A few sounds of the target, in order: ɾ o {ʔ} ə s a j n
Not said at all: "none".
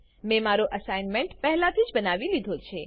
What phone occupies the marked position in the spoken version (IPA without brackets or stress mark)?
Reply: ʔ